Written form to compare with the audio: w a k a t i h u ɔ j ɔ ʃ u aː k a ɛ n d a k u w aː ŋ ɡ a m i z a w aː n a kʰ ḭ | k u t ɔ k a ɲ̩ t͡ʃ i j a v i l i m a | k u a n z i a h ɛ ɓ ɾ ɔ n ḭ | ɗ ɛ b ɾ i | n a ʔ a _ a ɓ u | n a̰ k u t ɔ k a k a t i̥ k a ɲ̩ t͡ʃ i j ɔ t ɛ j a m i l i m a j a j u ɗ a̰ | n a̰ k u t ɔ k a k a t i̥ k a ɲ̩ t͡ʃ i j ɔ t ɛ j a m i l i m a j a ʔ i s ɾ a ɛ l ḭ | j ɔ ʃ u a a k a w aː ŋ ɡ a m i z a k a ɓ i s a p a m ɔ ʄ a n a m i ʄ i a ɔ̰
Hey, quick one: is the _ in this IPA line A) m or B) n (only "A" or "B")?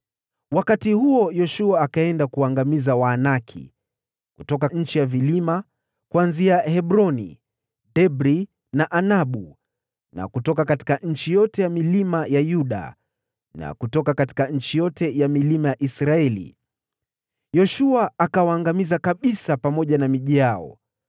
B